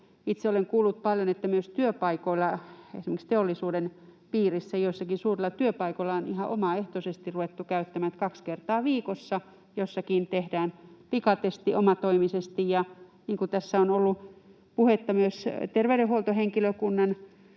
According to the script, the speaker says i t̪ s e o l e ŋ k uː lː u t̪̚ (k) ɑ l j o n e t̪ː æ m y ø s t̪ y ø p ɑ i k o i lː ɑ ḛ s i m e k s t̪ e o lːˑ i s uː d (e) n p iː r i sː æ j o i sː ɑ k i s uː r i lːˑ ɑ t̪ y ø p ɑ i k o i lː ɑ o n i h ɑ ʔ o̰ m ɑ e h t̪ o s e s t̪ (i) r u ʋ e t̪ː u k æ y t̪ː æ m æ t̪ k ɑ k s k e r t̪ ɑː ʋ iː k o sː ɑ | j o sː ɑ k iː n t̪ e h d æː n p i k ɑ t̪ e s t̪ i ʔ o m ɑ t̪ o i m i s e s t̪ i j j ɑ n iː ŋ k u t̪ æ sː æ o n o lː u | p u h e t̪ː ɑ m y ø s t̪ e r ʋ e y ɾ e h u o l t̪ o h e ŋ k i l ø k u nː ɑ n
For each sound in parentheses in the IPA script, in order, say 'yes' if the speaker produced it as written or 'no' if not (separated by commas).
no, yes, yes